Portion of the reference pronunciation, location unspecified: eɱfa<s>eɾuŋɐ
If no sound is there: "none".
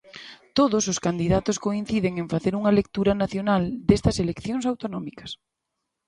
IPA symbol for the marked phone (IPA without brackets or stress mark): θ